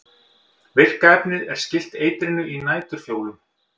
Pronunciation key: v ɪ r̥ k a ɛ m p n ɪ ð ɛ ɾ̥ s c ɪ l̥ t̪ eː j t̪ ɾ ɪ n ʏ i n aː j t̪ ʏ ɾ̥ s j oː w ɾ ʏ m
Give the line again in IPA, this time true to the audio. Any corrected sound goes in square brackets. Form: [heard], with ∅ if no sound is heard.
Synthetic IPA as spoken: v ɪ r̥ k a ɛ [∅] p n ɪ ð ɛ ɾ̥ s c ɪ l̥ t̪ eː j t̪ ɾ ɪ n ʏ i n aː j t̪ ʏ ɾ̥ [f] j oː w [l] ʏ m